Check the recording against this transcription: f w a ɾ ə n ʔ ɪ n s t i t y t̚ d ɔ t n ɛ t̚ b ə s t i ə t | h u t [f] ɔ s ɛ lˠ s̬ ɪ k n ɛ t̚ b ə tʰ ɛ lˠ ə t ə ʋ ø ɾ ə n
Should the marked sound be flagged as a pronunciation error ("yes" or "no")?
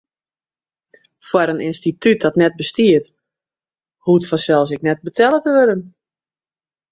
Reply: no